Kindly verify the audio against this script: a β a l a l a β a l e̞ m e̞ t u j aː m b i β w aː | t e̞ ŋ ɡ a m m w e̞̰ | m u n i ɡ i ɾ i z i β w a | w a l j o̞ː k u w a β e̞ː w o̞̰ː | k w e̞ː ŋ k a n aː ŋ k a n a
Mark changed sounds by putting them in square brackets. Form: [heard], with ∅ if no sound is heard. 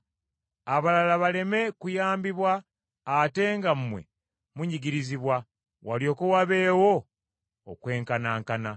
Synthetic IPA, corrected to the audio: a β a l a l a β a l e̞ m e̞ [k] u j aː m b i β w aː | t e̞ ŋ ɡ a m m w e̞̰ | m u [ɲ] i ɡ i ɾ i z i β w a | w a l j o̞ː k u w a β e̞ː w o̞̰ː | k w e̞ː ŋ k a n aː ŋ k a n a

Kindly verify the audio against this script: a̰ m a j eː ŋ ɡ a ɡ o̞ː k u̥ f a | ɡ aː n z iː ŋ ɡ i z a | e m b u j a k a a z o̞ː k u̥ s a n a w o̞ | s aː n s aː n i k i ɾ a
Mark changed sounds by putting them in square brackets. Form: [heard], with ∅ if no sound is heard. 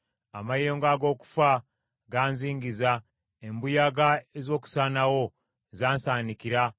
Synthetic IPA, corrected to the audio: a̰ m a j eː ŋ ɡ a ɡ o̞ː k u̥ f a | ɡ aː n z iː ŋ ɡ i z a | e m b u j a [ɡ] a [e] z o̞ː k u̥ s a n a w o̞ | [z] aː n s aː n i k i ɾ a

